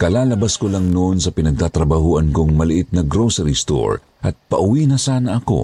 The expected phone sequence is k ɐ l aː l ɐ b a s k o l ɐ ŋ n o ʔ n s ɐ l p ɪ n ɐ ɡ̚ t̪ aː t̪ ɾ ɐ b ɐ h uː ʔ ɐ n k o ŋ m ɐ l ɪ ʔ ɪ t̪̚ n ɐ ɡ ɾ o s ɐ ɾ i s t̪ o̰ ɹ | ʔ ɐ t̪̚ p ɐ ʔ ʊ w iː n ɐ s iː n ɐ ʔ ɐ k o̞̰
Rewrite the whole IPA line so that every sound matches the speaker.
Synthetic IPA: k ɐ l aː l ɐ b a s k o l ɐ ŋ n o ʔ n s ɐ p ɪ n ɐ ɡ̚ t̪ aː t̪ ɾ ɐ b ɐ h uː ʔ ɐ n k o ŋ m ɐ l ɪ ʔ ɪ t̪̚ n ɐ ɡ ɾ o s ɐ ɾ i s t̪ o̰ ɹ | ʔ ɐ t̪̚ p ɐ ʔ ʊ w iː n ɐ s aː n ɐ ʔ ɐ k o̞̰